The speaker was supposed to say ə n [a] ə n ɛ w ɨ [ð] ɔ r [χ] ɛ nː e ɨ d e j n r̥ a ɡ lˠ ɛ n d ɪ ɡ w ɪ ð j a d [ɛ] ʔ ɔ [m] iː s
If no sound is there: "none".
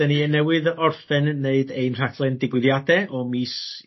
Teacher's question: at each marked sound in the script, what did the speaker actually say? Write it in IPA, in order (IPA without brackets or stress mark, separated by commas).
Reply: i, ð, f, ɛ, m